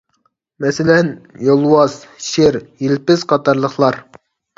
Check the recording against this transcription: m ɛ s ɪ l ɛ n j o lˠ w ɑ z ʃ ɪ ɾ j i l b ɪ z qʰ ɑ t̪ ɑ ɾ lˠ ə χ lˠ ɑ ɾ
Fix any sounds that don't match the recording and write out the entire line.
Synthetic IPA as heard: m ɛ s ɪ l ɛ n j o lˠ w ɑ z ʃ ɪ ɾ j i l p ɪ z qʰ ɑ t̪ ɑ ɾ lˠ ə χ lˠ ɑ ɾ